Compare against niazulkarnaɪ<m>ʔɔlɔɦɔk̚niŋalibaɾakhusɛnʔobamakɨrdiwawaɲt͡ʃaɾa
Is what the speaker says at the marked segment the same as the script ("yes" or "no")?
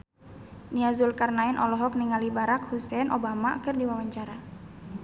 no